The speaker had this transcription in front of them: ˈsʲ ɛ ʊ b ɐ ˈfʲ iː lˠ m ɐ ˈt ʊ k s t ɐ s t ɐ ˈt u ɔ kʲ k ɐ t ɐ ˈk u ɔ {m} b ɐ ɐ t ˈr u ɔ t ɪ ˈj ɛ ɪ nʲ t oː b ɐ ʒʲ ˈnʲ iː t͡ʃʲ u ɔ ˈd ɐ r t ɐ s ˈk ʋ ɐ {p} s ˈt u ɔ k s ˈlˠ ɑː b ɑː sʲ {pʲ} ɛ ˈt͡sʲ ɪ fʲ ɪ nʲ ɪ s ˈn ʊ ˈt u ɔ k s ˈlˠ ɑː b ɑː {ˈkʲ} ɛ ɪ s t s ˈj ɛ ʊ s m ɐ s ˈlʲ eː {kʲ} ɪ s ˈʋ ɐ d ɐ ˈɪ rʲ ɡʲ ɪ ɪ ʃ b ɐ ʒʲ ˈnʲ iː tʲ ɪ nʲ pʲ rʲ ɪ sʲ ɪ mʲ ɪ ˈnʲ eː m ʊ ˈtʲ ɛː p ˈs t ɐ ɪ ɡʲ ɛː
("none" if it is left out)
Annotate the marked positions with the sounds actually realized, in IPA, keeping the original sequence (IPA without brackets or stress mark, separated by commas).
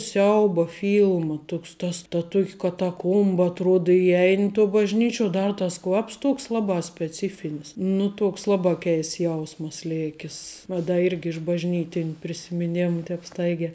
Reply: m, p, pʲ, kʲ, kʲ